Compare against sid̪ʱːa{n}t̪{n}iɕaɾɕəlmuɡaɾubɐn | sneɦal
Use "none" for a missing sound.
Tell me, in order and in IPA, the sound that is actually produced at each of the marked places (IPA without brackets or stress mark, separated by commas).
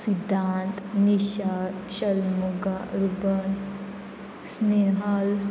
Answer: n, n